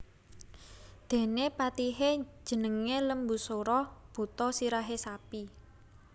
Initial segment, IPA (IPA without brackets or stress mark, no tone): d̪̥